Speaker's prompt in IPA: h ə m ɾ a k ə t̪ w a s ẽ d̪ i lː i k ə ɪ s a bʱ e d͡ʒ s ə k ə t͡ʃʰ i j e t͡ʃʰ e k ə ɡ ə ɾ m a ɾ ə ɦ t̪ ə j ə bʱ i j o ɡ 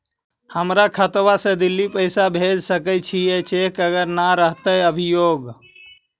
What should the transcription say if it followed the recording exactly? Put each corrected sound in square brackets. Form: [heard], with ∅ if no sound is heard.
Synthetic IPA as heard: h ə m ɾ a [kʰ] ə t̪ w a s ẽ d̪ i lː i [p] ə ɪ s a bʱ e d͡ʒ s ə k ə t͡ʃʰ i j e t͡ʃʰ e k ə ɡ ə ɾ [n] a ɾ ə ɦ t̪ ə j ə bʱ i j o ɡ